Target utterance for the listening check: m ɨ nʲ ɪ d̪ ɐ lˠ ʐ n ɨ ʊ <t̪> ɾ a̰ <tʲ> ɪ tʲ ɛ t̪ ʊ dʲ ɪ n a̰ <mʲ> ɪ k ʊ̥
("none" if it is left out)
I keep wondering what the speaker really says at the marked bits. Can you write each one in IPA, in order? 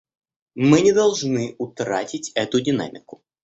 t̪, tʲ, mʲ

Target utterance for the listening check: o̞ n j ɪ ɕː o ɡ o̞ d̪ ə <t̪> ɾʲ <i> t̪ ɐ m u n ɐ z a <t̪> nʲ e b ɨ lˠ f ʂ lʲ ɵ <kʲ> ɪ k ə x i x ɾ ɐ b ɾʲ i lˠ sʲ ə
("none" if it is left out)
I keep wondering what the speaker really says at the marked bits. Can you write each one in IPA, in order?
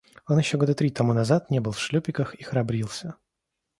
t̪, i, t̪, pʲ

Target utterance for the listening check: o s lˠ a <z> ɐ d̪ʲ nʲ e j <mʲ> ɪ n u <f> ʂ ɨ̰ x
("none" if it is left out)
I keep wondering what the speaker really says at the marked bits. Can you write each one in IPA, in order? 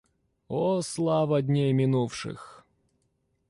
v, mʲ, f

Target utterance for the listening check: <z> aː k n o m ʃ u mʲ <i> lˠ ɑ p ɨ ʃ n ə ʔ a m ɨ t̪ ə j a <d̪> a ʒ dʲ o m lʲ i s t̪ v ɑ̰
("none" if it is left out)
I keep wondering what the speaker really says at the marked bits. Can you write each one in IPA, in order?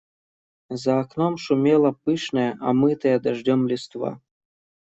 z, e, d̪

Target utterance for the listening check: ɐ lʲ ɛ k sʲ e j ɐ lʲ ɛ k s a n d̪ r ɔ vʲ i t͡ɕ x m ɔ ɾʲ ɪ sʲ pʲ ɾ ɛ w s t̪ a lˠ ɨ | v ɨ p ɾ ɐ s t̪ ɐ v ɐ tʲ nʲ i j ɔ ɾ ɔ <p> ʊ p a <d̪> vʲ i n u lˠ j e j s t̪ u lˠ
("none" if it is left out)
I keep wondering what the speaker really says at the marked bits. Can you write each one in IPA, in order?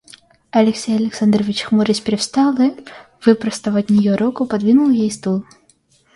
k, d̪

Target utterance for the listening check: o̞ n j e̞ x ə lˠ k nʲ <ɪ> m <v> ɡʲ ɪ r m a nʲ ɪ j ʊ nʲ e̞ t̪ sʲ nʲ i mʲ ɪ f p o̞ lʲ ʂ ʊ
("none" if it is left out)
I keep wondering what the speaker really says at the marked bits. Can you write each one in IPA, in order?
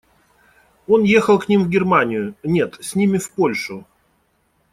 i, v

